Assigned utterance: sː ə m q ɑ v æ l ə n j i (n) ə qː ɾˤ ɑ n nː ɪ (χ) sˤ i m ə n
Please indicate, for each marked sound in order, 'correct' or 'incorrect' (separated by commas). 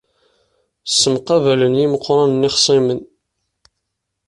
incorrect, correct